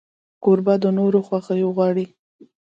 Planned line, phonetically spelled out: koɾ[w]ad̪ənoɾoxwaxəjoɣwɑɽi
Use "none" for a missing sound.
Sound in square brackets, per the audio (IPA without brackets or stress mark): b